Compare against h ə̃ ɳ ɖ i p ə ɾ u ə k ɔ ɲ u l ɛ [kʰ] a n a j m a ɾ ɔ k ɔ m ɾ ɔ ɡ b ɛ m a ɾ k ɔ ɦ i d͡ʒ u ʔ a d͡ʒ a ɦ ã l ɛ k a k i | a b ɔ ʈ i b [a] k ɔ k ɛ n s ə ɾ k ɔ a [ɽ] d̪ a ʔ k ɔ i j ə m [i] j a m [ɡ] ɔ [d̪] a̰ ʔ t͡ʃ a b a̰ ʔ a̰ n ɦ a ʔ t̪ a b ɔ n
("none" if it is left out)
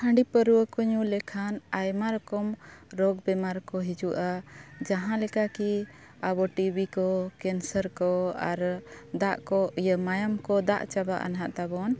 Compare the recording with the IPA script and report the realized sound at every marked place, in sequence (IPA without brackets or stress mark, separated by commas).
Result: kʰ, i, ɾ, a, k, d̪